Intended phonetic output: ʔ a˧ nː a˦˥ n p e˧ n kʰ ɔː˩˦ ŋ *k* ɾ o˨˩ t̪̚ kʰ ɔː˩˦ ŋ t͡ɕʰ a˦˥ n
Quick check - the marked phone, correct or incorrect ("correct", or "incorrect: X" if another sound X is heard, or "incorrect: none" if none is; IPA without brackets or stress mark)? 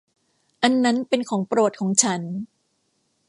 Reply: incorrect: p